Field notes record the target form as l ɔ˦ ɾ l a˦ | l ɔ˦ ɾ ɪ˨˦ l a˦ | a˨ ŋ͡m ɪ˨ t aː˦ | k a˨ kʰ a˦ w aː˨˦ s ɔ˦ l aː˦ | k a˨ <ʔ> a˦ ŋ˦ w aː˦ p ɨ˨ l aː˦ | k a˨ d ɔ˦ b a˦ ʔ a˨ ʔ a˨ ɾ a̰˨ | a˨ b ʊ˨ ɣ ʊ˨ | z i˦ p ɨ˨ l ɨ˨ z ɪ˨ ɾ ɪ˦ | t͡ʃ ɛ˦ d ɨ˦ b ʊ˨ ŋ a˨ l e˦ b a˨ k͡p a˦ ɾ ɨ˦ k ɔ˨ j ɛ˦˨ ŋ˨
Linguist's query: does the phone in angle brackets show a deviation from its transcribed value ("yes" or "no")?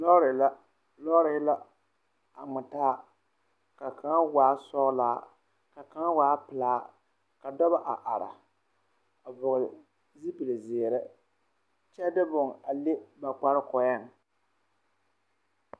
yes